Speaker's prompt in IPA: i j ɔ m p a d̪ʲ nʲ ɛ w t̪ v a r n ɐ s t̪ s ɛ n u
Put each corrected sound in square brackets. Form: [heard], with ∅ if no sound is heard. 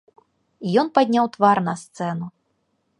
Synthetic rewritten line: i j ɔ [n] p a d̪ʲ nʲ [a] w t̪ v a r n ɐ s t̪ s ɛ n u